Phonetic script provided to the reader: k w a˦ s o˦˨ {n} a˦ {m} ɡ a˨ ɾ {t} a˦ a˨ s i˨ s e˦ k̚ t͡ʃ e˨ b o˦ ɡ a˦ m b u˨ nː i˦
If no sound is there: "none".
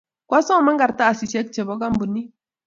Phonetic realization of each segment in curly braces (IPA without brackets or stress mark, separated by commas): m, ŋ, t